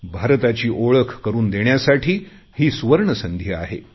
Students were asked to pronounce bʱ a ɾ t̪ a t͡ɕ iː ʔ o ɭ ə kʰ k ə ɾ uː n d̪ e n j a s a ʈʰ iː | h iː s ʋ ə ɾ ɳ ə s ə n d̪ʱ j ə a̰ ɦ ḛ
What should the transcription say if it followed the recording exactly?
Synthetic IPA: bʱ a ɾ t̪ a t͡ɕ iː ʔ o ɭ ə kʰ k ə ɾ uː n d̪ e ɳ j a s a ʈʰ iː | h iː s ʋ ə ɾ ɳ ə s ə n d̪ʱ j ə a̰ ɦ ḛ